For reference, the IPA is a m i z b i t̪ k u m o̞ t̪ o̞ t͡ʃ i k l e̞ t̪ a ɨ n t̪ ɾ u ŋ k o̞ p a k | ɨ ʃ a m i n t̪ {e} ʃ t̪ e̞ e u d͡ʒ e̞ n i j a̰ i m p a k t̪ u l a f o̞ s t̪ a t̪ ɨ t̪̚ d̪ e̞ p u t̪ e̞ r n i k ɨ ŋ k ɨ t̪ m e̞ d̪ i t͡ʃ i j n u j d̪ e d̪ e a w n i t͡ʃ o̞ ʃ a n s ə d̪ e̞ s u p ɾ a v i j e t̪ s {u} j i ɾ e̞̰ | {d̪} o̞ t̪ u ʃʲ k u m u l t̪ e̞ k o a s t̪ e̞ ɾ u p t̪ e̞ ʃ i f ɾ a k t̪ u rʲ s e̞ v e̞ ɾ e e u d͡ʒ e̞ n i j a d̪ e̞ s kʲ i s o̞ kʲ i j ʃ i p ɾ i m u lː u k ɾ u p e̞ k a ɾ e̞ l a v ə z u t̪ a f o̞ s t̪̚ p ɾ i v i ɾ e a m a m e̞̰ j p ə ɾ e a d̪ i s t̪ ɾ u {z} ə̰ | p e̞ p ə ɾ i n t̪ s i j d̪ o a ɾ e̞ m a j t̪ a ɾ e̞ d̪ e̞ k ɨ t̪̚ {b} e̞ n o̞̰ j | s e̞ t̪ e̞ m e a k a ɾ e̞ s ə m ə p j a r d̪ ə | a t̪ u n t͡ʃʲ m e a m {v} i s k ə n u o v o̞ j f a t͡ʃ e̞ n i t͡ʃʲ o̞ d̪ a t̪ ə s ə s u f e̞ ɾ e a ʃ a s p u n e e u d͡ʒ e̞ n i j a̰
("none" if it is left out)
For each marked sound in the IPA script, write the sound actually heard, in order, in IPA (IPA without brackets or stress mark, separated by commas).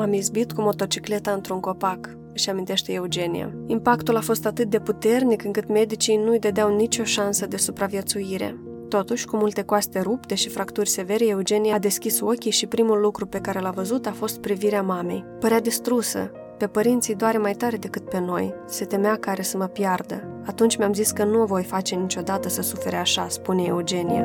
e, u, t̪, s, p, z